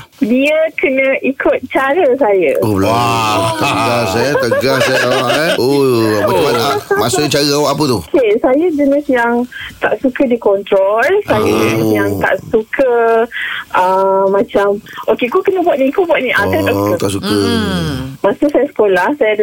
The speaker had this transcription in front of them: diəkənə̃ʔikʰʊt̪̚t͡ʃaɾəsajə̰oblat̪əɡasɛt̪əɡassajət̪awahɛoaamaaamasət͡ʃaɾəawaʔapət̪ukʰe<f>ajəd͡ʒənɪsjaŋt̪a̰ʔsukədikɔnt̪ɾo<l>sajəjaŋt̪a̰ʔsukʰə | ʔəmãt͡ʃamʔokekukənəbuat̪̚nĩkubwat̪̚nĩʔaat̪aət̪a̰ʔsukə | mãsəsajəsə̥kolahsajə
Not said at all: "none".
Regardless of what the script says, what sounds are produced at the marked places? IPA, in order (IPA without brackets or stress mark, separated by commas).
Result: s, l